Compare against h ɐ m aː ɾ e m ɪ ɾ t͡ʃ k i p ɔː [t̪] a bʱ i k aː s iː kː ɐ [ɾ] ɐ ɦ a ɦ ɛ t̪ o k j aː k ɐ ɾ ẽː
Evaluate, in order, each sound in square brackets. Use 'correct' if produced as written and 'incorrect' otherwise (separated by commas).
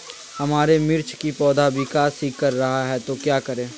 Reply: incorrect, incorrect